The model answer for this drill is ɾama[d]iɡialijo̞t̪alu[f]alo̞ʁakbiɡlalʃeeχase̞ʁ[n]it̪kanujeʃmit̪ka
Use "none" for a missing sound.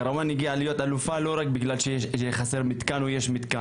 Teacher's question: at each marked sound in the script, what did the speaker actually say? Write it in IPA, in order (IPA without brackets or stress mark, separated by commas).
n, f, m